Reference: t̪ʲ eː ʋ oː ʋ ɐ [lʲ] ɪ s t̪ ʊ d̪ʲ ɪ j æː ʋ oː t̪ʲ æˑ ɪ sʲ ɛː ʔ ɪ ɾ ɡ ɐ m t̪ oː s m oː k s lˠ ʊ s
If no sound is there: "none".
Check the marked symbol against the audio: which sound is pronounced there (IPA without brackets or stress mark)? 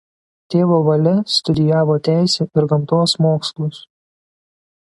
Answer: lʲ